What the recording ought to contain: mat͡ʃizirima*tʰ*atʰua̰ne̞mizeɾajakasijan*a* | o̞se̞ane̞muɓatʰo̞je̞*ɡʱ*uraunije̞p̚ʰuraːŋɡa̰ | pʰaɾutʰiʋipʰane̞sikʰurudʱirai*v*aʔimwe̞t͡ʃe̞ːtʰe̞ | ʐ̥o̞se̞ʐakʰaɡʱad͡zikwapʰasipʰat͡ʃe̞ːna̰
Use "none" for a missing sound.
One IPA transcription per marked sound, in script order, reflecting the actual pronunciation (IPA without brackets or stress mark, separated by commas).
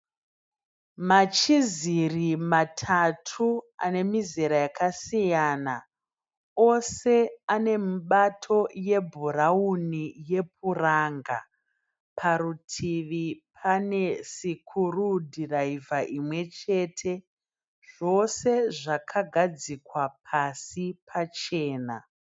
tʰ, a, bʱ, v